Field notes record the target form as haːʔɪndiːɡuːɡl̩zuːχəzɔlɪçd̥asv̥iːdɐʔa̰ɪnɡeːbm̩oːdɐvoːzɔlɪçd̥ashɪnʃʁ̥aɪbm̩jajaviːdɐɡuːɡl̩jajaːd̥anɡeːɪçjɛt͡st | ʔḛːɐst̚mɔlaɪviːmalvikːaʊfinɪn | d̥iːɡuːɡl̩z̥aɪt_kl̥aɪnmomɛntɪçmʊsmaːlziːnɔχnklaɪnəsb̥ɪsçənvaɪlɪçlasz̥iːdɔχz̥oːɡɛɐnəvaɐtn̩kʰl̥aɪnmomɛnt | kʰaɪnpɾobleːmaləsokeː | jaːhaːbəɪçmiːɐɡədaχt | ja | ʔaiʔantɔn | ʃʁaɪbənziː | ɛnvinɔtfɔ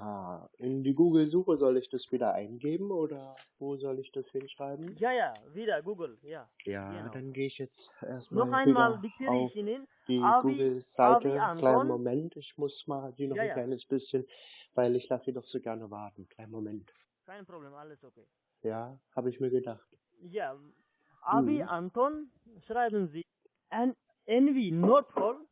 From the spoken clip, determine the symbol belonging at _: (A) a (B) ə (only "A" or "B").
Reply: B